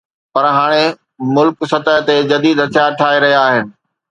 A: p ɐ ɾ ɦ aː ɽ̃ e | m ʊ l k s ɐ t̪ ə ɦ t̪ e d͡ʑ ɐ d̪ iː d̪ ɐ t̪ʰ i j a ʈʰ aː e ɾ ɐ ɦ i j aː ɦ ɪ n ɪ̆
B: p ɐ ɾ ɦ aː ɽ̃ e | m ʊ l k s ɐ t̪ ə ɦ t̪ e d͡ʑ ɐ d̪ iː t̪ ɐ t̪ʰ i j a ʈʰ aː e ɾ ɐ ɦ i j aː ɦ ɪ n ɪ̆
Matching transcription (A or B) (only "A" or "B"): A